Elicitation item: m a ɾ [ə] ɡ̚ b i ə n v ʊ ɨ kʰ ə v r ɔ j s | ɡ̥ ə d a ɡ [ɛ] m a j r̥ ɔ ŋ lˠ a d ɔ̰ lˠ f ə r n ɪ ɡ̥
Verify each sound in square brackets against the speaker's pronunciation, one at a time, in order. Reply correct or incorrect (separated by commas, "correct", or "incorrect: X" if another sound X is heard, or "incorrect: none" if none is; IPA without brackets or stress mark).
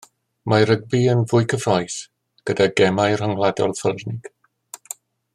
correct, correct